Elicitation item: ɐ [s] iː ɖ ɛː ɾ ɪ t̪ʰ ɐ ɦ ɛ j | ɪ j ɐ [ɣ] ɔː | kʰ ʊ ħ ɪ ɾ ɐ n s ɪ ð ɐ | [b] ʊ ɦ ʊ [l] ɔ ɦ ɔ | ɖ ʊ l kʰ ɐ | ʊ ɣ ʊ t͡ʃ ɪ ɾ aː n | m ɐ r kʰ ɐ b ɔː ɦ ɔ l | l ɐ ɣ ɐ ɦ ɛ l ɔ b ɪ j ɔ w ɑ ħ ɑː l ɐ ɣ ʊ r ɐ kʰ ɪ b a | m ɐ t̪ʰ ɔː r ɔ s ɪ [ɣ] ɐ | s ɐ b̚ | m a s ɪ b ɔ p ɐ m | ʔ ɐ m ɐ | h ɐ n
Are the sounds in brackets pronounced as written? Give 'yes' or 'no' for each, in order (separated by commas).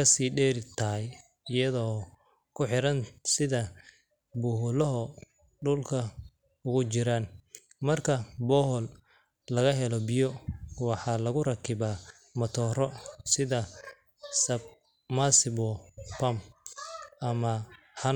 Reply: yes, no, yes, yes, no